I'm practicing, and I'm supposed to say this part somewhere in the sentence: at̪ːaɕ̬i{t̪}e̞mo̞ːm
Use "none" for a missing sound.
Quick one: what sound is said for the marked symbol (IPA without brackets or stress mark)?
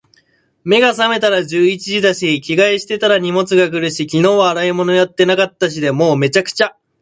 d̪